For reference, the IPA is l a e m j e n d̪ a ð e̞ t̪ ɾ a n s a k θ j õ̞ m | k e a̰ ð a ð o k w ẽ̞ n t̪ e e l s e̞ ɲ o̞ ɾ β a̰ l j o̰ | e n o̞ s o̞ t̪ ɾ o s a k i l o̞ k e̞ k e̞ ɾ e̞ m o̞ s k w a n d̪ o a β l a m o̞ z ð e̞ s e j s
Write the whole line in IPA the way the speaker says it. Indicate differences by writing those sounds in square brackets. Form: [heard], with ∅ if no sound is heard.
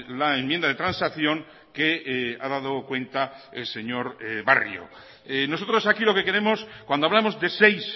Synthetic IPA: l a e m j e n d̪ a ð e̞ t̪ ɾ a n s a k θ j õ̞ [ŋ] | k e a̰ ð a ð o k w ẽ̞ n t̪ [a] e l s e̞ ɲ o̞ ɾ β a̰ [r] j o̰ | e n o̞ s o̞ t̪ ɾ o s a k i l o̞ k e̞ k e̞ ɾ e̞ m o̞ s k w a n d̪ o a β l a m o̞ z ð e̞ s e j s